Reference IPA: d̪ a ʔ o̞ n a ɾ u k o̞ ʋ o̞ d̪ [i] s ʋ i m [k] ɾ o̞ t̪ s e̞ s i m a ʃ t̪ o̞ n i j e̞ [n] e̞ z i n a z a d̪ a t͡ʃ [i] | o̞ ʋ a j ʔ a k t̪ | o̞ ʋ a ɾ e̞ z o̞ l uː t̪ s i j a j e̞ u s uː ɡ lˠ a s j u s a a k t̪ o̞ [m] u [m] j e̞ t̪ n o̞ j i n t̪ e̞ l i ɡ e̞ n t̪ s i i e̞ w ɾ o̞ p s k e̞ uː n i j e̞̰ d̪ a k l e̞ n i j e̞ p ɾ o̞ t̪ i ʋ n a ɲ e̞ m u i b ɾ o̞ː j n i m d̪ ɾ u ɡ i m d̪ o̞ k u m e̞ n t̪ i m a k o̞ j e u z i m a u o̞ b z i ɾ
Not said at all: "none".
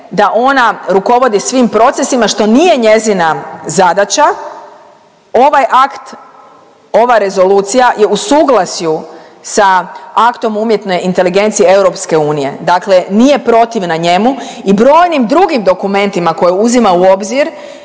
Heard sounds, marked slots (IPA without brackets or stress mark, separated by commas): i, p, ɲ, a, m, m